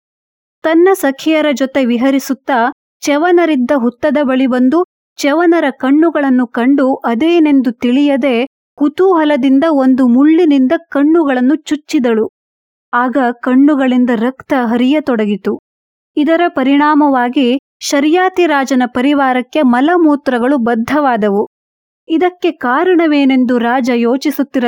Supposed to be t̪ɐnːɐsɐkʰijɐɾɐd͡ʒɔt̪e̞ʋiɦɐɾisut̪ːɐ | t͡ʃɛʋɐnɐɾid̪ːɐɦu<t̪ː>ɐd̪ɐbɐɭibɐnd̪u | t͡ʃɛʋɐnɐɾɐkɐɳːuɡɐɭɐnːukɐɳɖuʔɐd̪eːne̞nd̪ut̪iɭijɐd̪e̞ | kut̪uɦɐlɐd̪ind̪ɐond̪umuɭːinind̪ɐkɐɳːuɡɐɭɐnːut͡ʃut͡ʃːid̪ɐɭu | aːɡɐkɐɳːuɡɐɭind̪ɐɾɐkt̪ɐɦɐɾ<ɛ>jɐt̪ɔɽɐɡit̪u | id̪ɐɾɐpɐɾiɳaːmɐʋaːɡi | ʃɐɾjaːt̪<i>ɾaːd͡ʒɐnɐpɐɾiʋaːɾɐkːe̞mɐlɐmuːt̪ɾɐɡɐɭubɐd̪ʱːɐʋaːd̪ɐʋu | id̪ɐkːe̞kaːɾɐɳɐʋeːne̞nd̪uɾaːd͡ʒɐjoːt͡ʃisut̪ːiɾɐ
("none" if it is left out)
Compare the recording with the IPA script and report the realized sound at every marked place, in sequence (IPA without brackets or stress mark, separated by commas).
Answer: t̪ː, i, i